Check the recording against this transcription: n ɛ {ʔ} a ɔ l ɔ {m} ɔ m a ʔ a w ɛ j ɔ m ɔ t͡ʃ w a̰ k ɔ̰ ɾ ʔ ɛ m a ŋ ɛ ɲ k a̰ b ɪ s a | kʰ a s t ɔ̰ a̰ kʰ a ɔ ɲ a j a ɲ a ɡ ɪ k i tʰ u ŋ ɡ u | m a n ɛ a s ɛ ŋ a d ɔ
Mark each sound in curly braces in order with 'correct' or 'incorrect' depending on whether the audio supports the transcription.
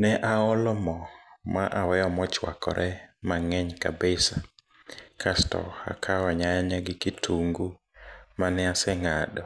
correct, correct

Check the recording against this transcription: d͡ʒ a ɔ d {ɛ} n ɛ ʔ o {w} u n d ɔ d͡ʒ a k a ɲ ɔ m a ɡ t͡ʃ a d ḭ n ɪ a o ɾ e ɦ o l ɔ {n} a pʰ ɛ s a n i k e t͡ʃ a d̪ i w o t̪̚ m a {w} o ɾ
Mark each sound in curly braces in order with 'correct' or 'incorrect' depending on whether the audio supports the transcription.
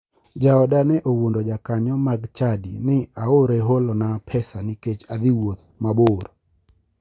incorrect: a, correct, correct, incorrect: b

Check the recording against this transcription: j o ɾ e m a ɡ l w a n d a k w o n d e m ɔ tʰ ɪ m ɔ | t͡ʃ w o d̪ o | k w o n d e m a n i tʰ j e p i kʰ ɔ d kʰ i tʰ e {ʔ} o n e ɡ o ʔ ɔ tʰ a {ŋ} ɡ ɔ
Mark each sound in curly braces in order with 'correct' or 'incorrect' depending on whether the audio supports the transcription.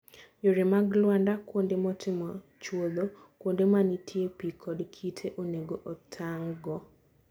correct, correct

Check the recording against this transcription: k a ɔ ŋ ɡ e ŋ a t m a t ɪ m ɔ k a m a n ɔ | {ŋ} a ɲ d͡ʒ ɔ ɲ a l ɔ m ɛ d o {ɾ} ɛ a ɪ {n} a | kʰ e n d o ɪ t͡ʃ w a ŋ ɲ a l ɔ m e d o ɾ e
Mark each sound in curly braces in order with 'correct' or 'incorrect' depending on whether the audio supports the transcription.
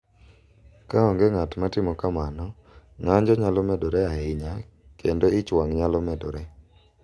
correct, correct, incorrect: ɲ

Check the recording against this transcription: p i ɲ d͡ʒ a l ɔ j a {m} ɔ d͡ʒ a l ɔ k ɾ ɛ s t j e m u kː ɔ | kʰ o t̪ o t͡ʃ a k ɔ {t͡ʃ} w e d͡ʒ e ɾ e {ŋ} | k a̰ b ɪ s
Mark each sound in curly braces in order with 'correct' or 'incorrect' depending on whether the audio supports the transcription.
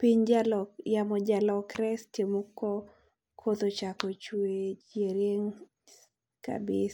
correct, correct, correct

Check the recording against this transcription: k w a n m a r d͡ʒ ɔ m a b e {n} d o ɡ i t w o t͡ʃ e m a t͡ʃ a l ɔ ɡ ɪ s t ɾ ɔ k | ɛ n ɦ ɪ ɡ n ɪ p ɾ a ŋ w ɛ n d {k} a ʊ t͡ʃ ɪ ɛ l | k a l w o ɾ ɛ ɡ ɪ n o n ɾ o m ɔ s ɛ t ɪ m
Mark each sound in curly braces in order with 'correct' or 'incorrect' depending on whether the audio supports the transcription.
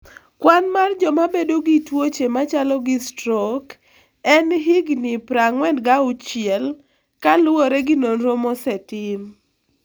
incorrect: none, incorrect: ɡ

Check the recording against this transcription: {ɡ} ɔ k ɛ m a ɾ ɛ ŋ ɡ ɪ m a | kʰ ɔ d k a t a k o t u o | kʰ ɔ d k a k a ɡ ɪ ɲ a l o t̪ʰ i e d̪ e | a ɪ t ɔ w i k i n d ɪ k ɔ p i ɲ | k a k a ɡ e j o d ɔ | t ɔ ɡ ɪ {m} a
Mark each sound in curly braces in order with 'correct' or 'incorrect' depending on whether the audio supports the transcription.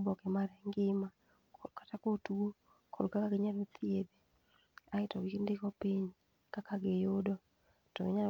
incorrect: b, incorrect: ɲ

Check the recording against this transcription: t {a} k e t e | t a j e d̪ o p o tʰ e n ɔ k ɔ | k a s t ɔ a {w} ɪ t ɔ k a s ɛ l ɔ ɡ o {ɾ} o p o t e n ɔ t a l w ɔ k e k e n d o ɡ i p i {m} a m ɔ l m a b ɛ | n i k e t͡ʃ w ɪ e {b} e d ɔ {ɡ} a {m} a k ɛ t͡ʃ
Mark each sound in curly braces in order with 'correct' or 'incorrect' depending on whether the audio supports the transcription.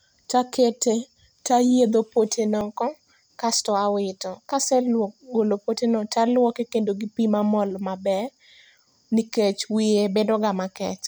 correct, correct, incorrect: l, correct, correct, correct, correct

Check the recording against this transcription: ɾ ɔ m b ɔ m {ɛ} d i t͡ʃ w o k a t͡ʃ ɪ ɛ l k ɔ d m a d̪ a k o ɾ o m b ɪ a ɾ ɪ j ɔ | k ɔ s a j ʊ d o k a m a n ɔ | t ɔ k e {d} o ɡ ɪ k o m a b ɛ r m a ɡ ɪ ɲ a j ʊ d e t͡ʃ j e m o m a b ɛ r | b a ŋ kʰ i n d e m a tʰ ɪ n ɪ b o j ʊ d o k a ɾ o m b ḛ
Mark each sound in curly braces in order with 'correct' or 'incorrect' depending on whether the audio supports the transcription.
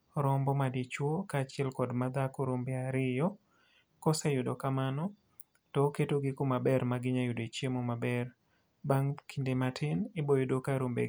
incorrect: a, incorrect: t

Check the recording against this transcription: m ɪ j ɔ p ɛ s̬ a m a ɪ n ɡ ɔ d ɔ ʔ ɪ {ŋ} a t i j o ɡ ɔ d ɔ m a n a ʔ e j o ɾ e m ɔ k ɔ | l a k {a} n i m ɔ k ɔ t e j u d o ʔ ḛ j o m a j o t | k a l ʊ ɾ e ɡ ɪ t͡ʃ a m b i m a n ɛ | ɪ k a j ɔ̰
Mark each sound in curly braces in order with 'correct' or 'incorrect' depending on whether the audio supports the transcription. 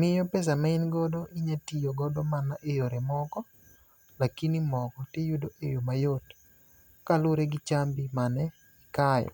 incorrect: ɲ, incorrect: i

